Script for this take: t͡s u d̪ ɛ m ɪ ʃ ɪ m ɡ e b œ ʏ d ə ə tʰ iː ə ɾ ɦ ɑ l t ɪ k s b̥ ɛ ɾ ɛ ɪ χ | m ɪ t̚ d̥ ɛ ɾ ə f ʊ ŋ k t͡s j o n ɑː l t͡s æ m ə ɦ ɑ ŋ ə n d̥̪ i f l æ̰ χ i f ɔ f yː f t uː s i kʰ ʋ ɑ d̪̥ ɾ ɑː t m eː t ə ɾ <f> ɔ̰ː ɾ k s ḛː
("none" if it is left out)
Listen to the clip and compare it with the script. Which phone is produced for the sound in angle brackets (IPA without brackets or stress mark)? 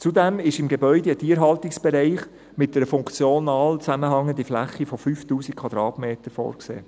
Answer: f